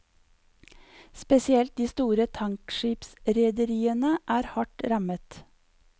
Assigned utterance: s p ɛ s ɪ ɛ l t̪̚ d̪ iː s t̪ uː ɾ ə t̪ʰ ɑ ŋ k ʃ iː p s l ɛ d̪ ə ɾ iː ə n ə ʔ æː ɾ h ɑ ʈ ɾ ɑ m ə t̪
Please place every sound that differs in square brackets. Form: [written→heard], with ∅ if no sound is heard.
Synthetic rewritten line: s p ɛ s ɪ ɛ l t̪̚ d̪ iː s t̪ uː ɾ ə t̪ʰ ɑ ŋ k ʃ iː p s [l→ɾ] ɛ d̪ ə ɾ iː ə n ə ʔ æː ɾ h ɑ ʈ ɾ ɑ m ə t̪

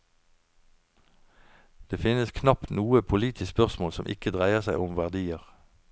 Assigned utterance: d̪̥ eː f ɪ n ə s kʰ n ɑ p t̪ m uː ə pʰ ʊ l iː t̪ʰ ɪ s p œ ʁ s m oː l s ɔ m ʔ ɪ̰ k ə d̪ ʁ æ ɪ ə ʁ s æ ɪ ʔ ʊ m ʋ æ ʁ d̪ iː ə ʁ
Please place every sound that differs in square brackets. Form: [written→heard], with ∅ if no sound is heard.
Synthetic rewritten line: d̪̥ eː f ɪ n ə s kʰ n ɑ p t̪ [m→n] uː ə pʰ ʊ l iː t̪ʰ ɪ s p œ ʁ s m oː l s ɔ m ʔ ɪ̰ k ə d̪ ʁ æ ɪ ə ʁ s æ ɪ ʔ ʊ m ʋ æ ʁ d̪ iː ə ʁ

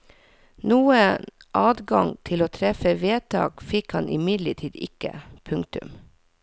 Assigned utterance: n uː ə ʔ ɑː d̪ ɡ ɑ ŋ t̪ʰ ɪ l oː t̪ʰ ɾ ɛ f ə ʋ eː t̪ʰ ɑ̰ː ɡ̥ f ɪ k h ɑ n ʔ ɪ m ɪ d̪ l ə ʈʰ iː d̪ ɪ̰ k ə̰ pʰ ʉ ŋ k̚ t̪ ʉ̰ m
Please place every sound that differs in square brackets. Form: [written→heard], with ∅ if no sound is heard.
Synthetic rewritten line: n uː ə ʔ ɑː d̪ ɡ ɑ ŋ t̪ʰ ɪ l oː t̪ʰ ɾ ɛ f ə ʋ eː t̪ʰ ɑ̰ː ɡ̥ f ɪ k h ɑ n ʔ ɪ m ɪ d̪ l ə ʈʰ iː d̪ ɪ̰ k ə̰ pʰ ʉ ŋ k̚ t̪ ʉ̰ m

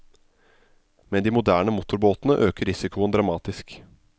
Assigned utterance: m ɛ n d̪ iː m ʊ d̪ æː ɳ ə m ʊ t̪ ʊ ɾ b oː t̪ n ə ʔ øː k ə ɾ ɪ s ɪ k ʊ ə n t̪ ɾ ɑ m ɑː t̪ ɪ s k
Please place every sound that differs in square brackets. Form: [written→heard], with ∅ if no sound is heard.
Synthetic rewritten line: m ɛ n d̪ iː m ʊ d̪ æː ɳ ə m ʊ t̪ ʊ ɾ b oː t̪ n ə ʔ øː k ə ɾ ɪ s ɪ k ʊ ə n [t̪→d̪] ɾ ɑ m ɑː t̪ ɪ s k

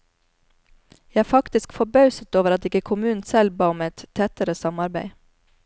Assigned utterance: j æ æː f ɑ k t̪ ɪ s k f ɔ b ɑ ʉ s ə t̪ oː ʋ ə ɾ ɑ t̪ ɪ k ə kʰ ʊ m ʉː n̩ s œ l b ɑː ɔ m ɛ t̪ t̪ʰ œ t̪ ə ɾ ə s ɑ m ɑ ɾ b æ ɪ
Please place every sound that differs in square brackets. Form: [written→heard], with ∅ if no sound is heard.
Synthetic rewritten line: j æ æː f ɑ k t̪ ɪ s k f ɔ b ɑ ʉ s ə t̪ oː ʋ ə ɾ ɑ t̪ ɪ k ə kʰ ʊ m ʉː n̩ s [œ→ɛ] l b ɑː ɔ m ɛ t̪ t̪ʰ [œ→ɛ] t̪ ə ɾ ə s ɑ m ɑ ɾ b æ ɪ

